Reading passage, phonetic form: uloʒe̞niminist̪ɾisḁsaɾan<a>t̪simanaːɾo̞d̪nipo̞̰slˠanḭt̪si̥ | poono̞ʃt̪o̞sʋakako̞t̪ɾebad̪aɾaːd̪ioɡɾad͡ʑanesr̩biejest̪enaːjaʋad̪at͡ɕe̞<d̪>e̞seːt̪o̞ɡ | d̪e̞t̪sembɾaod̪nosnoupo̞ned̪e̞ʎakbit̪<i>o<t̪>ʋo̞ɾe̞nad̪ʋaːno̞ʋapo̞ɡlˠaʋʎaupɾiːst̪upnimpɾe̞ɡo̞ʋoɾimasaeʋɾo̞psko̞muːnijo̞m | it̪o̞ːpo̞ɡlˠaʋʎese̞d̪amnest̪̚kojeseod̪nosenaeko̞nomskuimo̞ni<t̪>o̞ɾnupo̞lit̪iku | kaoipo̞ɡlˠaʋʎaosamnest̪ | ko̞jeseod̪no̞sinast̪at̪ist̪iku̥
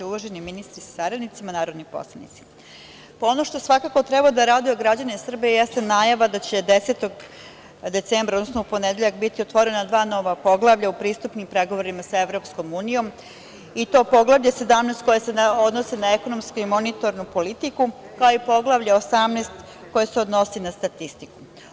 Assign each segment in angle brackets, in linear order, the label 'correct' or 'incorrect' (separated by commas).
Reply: incorrect, correct, correct, correct, correct